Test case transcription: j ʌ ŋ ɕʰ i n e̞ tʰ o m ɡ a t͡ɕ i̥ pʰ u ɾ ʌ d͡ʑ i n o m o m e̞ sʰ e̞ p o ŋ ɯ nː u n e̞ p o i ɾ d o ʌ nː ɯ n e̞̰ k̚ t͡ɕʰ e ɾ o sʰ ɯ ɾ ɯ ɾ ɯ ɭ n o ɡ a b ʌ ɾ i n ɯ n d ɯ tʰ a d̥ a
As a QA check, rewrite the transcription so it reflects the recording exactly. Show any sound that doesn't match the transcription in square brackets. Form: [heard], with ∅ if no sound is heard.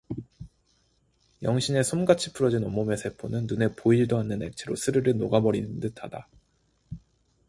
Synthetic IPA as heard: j ʌ ŋ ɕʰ i n e̞ [sʰ] o m ɡ a [t͡ɕʰ] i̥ pʰ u ɾ ʌ d͡ʑ i n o m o m e̞ sʰ e̞ [pʰ] o [n] ɯ nː u n e̞ p o i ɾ d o [a] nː ɯ n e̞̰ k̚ t͡ɕʰ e ɾ o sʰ ɯ ɾ ɯ ɾ ɯ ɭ n o ɡ a b ʌ ɾ i n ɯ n d ɯ tʰ a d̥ a